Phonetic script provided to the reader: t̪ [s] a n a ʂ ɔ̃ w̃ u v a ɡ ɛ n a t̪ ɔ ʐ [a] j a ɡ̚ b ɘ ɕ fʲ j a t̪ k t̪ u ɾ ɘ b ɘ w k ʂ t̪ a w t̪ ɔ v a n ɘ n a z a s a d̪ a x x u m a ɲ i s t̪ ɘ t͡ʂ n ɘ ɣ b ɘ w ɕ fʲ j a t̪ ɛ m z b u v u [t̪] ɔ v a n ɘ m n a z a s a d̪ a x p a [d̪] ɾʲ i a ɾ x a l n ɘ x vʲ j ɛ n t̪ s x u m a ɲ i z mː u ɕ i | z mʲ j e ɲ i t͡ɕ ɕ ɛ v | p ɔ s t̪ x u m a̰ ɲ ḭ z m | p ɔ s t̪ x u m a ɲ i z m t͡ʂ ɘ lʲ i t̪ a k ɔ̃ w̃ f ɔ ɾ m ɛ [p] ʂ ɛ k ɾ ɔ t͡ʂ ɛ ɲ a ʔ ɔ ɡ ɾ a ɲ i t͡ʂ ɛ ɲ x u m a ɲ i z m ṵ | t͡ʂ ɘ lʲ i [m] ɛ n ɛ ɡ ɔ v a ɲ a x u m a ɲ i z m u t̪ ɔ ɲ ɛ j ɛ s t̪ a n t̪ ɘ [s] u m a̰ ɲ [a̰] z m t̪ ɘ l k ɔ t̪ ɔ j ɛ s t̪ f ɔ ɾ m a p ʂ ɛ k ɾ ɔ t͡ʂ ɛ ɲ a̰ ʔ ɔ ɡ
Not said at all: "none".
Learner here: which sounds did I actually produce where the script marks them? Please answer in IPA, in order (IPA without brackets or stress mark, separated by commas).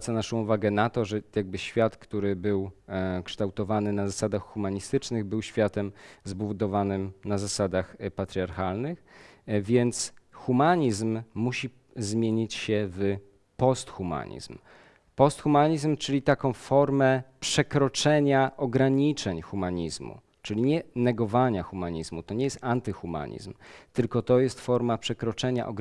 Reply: s, ɛ, d̪, t̪, p, ɲ, x, ḭ